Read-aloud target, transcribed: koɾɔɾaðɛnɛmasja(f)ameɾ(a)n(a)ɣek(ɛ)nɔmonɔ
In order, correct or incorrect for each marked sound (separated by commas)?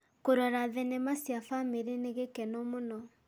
correct, incorrect, incorrect, correct